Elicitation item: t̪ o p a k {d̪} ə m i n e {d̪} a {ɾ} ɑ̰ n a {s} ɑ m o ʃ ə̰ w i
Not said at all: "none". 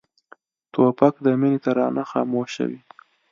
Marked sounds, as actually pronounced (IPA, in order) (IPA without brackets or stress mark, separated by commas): d̪, t̪, ɾ, x